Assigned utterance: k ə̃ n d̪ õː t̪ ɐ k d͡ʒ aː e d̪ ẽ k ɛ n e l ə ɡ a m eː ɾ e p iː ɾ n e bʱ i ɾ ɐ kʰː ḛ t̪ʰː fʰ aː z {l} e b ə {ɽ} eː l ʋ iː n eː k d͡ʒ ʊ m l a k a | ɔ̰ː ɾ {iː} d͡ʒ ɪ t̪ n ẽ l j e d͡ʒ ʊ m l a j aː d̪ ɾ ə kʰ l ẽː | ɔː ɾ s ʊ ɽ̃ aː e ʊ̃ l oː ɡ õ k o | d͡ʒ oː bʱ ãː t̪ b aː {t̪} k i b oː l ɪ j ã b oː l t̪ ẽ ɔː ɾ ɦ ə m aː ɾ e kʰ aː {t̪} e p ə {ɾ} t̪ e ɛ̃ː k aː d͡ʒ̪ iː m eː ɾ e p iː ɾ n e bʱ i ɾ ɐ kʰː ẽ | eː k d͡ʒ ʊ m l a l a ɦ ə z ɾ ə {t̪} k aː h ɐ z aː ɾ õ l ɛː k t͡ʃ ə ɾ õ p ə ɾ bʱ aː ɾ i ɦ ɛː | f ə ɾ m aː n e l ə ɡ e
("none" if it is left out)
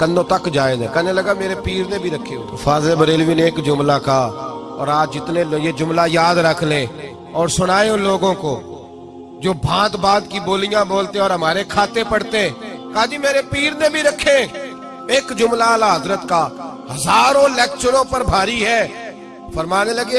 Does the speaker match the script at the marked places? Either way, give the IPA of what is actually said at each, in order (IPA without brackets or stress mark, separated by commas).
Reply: l, ɾ, aː, d̪, t̪, ɽ, t̪